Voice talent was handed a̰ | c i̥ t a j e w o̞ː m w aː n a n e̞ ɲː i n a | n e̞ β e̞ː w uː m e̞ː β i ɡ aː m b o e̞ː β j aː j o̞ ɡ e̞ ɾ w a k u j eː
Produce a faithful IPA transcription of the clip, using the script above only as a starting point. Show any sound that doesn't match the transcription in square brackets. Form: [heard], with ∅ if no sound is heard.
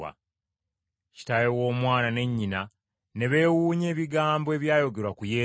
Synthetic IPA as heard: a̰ | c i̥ t a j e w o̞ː m w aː n a n e̞ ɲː i n a | n e̞ β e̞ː w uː [ɲ] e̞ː β i ɡ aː m b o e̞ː β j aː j o̞ ɡ e̞ ɾ w a k u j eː